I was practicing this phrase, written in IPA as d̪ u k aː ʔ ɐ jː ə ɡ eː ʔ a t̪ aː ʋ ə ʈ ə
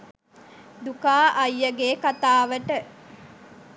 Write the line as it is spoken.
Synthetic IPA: d̪ u k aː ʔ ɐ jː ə ɡ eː k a t̪ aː ʋ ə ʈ ə